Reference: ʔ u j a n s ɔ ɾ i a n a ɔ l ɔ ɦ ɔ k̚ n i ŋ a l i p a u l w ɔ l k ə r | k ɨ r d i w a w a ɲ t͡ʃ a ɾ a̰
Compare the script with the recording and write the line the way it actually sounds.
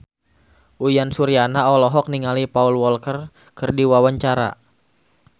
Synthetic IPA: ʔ u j a n s u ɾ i a n a ɔ l ɔ ɦ ɔ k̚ n i ŋ a l i p a u l w ɔ l k ə r | k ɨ r d i w a w a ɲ t͡ʃ a ɾ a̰

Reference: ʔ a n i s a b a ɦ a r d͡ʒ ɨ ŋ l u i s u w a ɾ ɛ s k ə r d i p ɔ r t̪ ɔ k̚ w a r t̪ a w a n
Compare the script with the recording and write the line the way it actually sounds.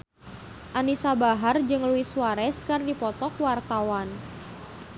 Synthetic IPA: ʔ a n i s a b a ɦ a r d͡ʒ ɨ ŋ l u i s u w a ɾ ɛ s k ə r d i p ɔ t̪ ɔ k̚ w a r t̪ a w a n

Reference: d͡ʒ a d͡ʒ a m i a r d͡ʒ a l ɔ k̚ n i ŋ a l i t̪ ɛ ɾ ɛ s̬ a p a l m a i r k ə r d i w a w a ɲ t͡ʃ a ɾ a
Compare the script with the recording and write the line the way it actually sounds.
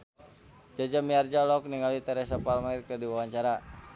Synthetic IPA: d͡ʒ a d͡ʒ a m i a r d͡ʒ a l ɔ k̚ n i ŋ a l i t̪ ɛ ɾ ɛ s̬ a p a l m a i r k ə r d i w a w a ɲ t͡ʃ a ɾ a

